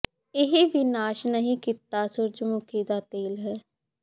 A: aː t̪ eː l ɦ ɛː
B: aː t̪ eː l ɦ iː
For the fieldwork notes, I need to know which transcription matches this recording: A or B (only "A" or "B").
A